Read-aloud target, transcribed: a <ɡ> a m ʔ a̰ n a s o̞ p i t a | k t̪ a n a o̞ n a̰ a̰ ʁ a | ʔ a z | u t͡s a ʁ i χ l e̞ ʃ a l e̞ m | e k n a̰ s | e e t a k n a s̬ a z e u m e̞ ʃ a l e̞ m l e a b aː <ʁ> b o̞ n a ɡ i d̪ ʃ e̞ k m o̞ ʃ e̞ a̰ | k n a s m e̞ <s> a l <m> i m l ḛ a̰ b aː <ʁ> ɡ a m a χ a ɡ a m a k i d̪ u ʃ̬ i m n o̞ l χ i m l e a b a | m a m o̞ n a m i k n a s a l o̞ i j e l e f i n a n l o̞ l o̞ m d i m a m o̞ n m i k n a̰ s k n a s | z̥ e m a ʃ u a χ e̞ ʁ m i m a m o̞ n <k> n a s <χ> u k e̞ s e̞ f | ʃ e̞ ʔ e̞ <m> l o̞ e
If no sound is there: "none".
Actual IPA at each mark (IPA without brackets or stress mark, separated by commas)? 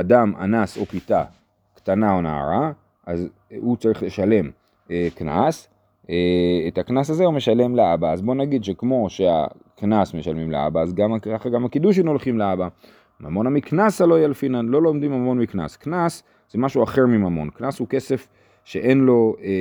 d, z, ʃ, m, z, k, h, n